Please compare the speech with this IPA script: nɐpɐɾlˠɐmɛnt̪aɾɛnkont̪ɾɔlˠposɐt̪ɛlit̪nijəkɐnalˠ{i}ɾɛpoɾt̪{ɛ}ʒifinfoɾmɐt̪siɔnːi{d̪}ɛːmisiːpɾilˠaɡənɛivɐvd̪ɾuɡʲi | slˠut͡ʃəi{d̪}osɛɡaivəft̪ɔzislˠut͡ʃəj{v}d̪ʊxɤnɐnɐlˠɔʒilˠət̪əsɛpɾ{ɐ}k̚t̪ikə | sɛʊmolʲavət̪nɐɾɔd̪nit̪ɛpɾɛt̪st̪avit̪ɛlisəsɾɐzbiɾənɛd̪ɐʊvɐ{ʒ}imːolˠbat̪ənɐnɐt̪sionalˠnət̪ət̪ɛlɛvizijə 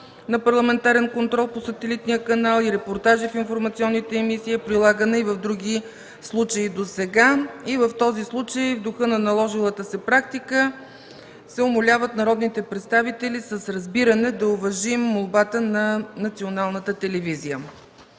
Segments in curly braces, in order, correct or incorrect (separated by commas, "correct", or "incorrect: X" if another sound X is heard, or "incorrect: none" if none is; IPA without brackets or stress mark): correct, incorrect: a, incorrect: t̪, correct, correct, incorrect: a, correct